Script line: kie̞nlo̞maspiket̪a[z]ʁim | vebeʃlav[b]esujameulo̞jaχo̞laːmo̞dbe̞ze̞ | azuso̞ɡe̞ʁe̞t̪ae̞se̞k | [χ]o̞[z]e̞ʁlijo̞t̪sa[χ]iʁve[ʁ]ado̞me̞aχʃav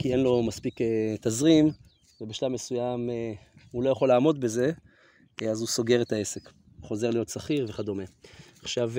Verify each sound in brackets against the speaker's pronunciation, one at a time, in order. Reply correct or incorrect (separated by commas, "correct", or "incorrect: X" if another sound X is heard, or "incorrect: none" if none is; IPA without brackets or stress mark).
correct, incorrect: m, correct, correct, correct, incorrect: χ